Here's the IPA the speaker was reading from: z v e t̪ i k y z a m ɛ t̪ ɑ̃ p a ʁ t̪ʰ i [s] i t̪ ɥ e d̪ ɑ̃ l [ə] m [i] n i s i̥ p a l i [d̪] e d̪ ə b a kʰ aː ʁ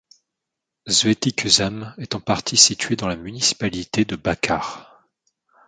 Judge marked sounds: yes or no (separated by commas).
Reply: yes, no, no, no